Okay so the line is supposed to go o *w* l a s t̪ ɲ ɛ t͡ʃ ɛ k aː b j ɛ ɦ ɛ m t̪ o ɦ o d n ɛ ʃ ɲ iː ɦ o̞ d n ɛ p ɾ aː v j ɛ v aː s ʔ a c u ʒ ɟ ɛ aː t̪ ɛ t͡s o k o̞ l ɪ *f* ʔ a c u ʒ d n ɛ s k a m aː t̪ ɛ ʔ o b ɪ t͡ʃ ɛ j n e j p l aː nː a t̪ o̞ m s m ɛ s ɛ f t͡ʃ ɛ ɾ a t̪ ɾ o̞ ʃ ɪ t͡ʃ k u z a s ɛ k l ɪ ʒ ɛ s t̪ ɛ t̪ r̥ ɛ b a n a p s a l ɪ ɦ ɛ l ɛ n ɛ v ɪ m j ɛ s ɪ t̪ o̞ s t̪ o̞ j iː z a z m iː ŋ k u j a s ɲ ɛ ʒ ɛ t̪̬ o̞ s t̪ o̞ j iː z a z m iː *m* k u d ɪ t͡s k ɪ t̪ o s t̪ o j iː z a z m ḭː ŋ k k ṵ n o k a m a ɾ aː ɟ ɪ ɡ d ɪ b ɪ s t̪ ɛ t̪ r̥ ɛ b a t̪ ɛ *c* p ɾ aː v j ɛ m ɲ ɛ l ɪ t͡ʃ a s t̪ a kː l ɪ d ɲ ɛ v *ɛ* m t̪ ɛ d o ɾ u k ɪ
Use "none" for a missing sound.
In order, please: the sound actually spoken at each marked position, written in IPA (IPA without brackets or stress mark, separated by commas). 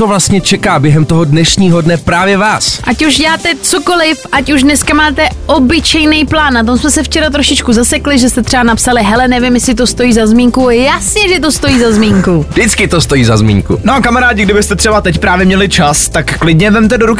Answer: v, f, ŋ, c, ɛ